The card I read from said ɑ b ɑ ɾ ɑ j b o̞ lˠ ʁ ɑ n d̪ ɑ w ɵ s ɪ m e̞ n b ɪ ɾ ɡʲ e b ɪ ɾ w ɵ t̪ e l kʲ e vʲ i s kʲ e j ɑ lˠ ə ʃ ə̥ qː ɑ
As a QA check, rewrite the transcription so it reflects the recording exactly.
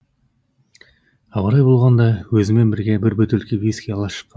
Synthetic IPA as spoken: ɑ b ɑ ɾ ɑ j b o̞ lˠ ʁ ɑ n d̪ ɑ w ɵ z ɪ m e̞ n b ɪ ɾ ɡʲ e b ɪ ɾ b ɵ t̪ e l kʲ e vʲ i s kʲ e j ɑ lˠ ɑ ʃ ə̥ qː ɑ